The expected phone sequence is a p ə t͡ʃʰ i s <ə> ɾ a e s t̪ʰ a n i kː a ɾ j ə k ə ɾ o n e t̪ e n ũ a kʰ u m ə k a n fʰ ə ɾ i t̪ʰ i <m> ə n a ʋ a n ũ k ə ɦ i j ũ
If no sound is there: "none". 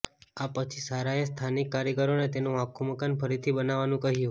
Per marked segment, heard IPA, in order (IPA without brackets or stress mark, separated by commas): a, b